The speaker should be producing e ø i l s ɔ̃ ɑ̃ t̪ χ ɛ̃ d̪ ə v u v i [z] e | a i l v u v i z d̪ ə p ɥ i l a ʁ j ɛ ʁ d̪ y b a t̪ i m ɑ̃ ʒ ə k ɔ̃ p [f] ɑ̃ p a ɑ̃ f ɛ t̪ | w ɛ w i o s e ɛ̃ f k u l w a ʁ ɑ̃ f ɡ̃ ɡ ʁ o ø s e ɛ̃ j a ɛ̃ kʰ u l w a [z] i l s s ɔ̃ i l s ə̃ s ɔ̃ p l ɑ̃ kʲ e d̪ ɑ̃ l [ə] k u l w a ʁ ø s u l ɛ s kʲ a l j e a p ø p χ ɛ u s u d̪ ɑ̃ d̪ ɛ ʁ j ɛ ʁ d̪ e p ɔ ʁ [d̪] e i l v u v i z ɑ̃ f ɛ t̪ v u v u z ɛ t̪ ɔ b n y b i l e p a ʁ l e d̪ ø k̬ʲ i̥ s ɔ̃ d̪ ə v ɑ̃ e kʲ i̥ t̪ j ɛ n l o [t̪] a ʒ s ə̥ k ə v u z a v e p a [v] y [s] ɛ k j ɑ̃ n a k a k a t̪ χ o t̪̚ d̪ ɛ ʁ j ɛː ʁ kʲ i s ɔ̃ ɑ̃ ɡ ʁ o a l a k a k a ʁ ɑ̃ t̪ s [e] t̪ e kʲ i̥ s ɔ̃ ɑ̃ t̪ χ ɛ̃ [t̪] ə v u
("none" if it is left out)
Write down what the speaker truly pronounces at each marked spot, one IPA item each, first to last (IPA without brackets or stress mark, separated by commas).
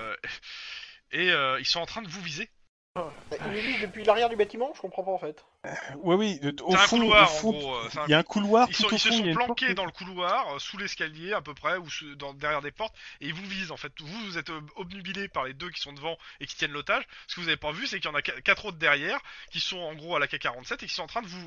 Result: z, χ, ʁ, ə, t̪, t̪, v, s, ɛ, d̪